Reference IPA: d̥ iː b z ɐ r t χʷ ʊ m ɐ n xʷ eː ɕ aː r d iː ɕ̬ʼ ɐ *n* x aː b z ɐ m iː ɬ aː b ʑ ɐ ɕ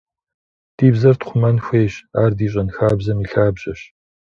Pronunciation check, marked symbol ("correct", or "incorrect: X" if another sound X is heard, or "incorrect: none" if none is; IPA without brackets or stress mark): correct